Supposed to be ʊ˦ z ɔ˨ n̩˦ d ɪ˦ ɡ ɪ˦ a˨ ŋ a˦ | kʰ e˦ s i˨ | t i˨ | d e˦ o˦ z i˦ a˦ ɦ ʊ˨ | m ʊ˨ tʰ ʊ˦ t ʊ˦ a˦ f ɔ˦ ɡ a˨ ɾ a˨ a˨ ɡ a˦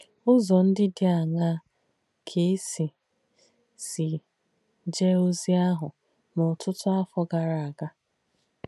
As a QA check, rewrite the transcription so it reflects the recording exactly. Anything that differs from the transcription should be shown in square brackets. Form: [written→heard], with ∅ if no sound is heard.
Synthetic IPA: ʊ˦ z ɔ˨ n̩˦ d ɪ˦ [ɡ→d] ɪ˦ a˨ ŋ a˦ | kʰ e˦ s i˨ | [t→s] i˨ | [d→d͡ʒ] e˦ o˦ z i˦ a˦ ɦ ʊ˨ | m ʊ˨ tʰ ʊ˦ t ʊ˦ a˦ f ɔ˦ ɡ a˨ ɾ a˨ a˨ ɡ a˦